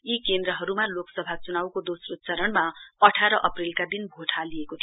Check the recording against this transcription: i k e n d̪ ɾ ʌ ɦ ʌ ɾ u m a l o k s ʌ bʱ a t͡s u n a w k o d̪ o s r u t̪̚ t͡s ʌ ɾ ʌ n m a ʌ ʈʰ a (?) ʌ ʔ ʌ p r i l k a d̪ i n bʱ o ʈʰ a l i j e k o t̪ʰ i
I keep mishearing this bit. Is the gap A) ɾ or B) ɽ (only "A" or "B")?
A